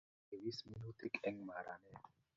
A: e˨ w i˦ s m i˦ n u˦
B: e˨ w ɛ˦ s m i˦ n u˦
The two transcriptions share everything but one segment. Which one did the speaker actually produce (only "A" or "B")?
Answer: A